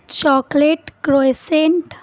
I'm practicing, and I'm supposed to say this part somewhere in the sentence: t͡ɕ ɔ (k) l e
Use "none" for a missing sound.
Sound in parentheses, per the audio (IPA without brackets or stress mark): k